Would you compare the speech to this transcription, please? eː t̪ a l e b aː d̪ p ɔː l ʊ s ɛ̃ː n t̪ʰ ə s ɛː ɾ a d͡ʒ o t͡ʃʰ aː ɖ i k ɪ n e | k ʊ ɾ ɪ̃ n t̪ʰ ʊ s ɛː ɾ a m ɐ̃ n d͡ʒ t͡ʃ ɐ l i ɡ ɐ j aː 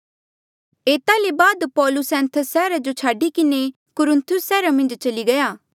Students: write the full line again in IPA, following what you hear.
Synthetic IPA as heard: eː t̪ a l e b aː d̪ p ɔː l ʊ s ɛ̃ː n t̪ʰ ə s ɛː ɾ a d͡ʒ o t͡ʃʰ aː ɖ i k ɪ n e | k ʊ ɾ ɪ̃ n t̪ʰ ʊ s ɛː ɾ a m ɐ̃ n d͡ʒ t͡ʃ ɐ l i ɡ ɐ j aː